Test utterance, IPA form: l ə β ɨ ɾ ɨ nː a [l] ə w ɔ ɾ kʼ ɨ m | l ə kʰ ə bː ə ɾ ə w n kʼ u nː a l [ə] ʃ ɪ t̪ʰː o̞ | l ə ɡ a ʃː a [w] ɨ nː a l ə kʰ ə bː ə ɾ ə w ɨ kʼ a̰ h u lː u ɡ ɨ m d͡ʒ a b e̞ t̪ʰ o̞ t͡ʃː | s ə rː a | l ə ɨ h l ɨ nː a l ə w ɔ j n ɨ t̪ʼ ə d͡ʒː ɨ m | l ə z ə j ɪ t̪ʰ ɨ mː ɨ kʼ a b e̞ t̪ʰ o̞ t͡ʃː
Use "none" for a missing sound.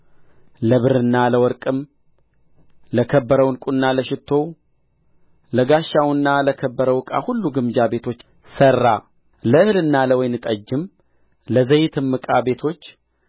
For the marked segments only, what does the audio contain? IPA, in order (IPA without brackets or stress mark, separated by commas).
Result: l, ə, w